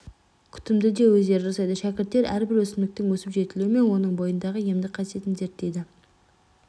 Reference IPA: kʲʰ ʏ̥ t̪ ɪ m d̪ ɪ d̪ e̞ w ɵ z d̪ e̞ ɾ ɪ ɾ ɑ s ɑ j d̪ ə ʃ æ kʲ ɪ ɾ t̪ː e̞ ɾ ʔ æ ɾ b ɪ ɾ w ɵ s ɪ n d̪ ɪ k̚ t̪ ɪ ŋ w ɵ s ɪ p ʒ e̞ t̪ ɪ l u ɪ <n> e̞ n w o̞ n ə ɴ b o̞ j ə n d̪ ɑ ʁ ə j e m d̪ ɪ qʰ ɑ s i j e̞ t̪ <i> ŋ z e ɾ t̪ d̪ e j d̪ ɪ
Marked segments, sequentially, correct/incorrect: incorrect: m, incorrect: ɪ

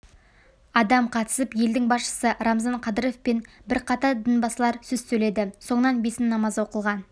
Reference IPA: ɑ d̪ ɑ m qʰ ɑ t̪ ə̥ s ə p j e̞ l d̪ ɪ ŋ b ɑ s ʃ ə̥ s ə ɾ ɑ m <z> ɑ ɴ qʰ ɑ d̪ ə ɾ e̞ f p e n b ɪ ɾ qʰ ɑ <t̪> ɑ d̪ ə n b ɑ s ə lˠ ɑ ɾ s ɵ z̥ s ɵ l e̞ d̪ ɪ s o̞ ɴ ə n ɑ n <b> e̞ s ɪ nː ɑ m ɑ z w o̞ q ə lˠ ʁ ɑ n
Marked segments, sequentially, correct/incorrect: correct, correct, correct

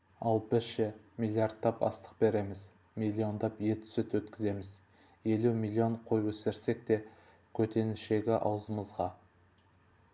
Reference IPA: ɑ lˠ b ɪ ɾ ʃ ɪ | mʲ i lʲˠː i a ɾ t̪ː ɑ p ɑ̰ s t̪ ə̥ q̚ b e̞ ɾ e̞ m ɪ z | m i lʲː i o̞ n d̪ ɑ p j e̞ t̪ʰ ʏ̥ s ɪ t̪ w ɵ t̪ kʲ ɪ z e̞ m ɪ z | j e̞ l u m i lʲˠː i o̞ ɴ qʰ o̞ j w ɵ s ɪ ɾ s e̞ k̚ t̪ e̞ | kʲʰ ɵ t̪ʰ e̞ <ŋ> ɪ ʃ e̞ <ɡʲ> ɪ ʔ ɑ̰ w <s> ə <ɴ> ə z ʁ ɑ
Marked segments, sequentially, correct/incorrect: incorrect: n, correct, incorrect: z, incorrect: m

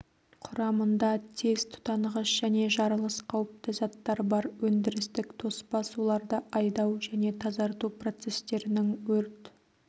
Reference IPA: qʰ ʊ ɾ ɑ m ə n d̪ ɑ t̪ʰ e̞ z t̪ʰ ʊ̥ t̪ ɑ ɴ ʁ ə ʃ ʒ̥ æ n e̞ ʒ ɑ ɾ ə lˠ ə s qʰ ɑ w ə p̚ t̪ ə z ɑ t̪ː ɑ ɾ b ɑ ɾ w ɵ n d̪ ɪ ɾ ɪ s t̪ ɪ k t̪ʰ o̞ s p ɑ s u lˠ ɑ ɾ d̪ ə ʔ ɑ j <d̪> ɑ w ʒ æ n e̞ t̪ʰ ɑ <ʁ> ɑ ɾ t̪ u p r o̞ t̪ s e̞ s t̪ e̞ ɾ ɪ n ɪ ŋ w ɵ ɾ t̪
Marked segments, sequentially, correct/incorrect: correct, incorrect: z

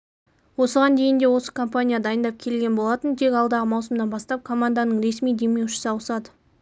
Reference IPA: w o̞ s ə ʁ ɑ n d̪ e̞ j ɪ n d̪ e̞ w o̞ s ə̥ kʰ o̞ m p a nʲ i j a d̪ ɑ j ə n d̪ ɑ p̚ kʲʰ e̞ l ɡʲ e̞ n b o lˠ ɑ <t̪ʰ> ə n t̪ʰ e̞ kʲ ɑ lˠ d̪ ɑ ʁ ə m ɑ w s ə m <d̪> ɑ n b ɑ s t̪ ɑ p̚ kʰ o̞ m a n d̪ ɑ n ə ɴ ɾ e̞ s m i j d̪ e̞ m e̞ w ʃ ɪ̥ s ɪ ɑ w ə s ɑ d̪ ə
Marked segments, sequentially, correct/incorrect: incorrect: t̪, correct

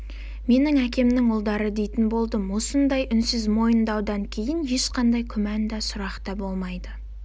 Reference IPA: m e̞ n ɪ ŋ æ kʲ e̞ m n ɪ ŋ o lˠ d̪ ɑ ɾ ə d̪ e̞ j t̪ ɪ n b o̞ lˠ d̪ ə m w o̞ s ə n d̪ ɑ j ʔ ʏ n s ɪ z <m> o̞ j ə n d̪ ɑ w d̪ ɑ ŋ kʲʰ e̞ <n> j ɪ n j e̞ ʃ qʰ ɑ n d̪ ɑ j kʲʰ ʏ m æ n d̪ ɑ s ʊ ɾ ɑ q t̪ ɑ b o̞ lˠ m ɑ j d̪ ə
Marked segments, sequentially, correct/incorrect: correct, incorrect: none

